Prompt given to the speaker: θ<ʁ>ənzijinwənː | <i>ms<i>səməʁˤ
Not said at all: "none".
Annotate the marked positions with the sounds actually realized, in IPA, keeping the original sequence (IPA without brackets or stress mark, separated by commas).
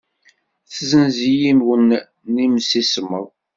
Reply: z, i, i